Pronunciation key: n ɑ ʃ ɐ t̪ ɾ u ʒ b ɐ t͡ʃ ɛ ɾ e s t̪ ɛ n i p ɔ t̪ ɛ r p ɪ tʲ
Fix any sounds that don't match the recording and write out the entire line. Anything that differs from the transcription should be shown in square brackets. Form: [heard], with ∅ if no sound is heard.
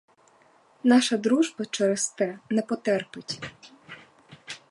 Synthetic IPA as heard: n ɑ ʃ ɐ [d̪] ɾ u ʒ b ɐ t͡ʃ ɛ ɾ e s t̪ ɛ n [ɛ] p ɔ t̪ ɛ r p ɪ tʲ